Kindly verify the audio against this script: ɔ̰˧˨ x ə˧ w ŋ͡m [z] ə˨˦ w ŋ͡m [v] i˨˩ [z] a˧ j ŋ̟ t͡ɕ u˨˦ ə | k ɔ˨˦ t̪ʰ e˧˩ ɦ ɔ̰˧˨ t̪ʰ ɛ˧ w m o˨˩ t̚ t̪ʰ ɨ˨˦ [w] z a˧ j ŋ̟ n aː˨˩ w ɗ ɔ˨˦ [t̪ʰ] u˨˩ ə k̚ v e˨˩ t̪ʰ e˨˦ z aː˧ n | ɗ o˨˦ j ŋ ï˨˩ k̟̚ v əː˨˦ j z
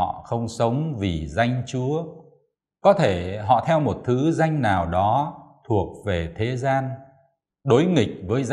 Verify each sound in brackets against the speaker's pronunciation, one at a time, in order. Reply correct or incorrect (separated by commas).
incorrect, correct, correct, incorrect, correct